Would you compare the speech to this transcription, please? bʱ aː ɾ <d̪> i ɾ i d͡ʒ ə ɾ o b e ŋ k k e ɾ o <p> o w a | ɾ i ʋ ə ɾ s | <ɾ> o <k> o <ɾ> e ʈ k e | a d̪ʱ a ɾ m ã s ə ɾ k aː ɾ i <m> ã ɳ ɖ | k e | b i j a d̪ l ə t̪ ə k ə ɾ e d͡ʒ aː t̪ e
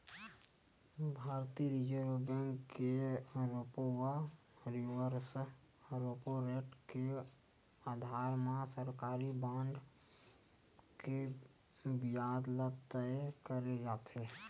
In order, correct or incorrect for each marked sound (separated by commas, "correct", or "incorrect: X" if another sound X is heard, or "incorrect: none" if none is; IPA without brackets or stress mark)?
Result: incorrect: t̪, correct, correct, incorrect: p, correct, incorrect: b